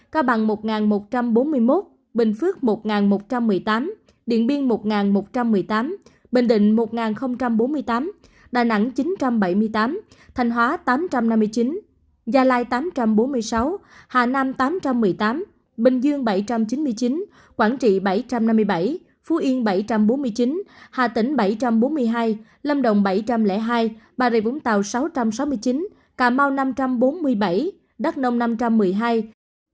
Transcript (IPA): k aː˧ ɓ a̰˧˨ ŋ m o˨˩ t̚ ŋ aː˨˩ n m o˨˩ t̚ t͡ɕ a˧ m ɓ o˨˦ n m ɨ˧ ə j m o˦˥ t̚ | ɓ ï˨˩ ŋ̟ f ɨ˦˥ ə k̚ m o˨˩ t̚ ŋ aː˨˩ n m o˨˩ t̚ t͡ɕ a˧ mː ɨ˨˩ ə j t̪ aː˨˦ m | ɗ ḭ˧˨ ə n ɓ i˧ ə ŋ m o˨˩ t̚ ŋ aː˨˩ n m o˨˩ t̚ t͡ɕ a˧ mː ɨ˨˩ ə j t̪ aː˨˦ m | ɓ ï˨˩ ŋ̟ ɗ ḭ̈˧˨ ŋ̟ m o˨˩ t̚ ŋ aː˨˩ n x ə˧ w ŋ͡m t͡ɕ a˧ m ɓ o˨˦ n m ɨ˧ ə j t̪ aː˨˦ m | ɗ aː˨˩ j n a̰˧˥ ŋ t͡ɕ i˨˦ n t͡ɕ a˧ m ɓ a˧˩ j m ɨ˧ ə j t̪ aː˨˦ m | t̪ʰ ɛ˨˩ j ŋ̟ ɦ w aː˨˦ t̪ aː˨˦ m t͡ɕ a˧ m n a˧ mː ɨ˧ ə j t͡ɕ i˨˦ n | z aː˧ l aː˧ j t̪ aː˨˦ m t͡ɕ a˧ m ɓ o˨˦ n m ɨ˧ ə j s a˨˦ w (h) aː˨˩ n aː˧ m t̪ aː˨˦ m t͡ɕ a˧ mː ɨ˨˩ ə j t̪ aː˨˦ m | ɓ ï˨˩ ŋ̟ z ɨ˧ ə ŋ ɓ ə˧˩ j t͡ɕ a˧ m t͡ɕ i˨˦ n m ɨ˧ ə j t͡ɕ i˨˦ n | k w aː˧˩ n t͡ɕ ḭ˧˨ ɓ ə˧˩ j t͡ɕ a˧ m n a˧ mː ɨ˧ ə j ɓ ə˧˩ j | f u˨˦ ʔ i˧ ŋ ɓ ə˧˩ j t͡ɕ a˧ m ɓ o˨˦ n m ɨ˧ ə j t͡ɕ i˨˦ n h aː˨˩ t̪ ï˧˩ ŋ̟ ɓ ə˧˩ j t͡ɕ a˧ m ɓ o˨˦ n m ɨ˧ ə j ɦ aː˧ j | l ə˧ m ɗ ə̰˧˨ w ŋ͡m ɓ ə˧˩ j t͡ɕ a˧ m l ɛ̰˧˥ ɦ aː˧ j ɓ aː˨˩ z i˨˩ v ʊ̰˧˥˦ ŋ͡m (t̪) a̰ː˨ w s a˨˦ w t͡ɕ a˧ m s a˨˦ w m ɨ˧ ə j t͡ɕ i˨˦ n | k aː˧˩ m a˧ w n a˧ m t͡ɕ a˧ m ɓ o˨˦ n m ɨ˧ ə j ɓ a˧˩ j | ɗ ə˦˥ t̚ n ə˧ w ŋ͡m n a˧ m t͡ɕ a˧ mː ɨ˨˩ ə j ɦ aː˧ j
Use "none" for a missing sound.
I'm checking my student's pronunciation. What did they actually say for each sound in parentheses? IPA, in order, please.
h, t̪

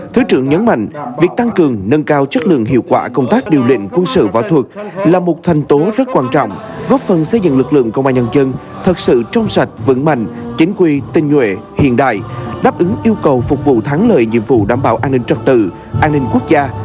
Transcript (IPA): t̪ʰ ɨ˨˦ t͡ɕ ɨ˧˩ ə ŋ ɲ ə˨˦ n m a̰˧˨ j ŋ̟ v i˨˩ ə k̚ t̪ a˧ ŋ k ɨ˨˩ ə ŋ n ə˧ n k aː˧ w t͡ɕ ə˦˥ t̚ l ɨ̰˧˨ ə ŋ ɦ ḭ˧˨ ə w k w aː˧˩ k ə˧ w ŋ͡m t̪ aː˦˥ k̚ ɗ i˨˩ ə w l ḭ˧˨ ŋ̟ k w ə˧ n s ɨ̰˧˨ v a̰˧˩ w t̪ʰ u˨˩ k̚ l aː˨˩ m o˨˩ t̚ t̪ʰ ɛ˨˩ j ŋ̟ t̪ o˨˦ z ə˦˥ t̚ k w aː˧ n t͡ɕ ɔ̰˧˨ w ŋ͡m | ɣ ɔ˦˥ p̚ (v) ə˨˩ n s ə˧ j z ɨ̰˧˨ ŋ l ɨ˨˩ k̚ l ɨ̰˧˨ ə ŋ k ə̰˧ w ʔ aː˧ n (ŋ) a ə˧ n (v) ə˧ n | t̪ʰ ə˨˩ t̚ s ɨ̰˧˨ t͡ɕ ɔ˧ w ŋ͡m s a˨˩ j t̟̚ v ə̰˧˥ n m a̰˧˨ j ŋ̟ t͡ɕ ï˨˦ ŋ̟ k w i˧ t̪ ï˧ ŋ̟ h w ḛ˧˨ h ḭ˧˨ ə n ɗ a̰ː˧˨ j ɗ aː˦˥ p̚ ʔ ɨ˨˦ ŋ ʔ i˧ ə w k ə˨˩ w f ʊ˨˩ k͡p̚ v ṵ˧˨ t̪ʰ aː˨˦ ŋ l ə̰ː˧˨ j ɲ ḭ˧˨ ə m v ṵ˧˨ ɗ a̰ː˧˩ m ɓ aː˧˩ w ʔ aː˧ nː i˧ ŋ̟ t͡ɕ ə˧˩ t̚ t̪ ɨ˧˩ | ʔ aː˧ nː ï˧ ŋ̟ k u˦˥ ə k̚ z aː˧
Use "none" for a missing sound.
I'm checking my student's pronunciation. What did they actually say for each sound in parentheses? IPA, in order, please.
f, ɲ, z

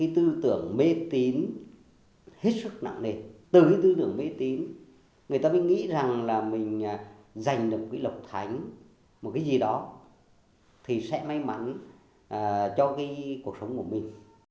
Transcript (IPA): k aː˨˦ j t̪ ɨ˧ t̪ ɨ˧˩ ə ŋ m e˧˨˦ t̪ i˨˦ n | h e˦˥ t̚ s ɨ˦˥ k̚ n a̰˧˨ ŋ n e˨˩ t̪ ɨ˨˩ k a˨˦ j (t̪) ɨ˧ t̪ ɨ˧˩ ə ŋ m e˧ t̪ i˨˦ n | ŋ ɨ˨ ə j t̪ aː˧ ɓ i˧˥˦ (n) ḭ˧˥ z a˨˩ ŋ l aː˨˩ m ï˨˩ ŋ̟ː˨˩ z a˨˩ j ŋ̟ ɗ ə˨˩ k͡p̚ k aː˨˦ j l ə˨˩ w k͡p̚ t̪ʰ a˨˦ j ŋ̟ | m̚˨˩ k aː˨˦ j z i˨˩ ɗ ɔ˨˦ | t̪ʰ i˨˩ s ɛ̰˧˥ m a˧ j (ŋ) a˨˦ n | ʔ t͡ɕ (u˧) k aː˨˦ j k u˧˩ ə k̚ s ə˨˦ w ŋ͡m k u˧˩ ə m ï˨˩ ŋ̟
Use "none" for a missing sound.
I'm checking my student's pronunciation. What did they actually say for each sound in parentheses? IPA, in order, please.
t̪, ŋ, m, ɔ˧

